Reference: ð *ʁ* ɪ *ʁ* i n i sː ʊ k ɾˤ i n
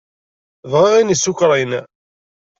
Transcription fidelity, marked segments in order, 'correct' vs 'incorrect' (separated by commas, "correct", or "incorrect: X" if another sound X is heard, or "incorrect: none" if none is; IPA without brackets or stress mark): correct, correct